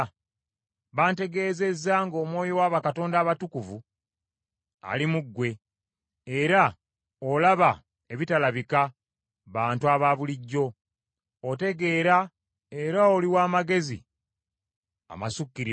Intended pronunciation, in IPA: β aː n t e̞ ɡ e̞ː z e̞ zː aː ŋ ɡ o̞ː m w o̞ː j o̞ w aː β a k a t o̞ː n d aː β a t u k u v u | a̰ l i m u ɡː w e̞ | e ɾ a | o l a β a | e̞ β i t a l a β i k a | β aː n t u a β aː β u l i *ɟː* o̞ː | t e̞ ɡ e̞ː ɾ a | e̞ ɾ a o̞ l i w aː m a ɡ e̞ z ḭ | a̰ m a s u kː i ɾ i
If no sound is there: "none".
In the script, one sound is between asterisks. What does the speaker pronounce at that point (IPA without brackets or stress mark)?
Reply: ɟː